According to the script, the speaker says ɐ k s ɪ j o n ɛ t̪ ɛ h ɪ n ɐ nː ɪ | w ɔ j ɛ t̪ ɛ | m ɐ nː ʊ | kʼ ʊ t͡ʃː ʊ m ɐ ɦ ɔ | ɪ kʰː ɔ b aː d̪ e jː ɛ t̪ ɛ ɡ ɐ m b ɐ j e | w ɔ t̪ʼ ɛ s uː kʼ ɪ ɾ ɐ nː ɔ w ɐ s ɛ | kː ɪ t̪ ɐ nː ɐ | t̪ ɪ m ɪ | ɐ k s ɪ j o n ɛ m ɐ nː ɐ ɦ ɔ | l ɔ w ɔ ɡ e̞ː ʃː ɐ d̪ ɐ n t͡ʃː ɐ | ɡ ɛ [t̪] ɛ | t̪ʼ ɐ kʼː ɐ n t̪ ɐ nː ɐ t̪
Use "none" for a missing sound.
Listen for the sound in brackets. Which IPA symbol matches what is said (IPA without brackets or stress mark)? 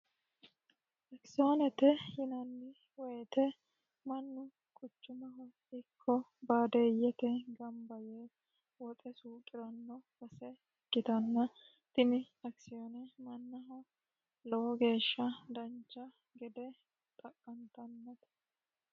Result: d̪